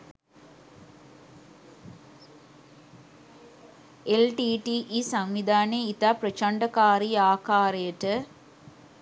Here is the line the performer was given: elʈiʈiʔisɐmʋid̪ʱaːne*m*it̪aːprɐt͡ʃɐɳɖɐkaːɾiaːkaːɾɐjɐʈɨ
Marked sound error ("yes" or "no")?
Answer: yes